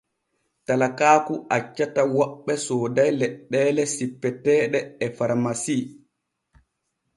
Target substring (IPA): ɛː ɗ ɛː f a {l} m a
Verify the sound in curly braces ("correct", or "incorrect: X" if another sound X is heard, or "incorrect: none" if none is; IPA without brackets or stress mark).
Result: incorrect: ɾ